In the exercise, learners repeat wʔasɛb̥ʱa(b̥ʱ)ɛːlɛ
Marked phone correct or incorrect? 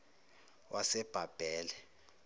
correct